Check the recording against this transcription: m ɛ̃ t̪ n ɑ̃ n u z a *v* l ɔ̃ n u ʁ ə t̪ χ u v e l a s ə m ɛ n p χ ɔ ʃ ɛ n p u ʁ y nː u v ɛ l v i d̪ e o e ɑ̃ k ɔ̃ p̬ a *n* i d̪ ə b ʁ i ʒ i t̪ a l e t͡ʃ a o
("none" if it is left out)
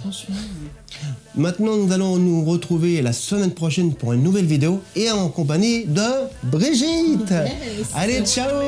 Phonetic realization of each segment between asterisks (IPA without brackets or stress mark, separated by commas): none, ɲ